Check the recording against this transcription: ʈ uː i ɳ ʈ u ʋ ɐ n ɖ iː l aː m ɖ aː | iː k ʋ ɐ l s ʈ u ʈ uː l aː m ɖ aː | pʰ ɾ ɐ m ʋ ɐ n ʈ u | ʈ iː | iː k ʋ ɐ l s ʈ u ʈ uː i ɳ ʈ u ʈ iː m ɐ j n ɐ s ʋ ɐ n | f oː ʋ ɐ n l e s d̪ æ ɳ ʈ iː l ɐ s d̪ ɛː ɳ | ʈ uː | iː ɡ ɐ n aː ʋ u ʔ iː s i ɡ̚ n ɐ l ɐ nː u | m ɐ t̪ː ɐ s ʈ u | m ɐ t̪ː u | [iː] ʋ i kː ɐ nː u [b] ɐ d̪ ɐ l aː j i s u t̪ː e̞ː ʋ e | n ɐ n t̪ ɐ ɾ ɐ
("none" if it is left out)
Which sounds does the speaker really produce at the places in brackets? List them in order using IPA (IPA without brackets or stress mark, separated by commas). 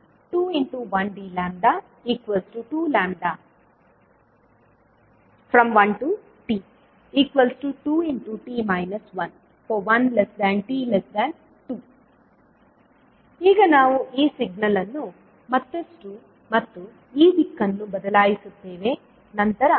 iː, b